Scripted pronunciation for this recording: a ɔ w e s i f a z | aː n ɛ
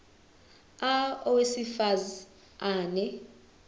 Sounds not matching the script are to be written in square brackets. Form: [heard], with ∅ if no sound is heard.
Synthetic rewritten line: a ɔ w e s i f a z | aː n ɛ